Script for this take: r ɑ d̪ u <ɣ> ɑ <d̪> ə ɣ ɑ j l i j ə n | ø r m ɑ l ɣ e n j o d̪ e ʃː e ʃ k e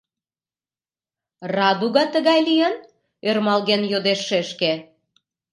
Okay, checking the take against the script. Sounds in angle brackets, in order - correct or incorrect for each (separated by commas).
correct, incorrect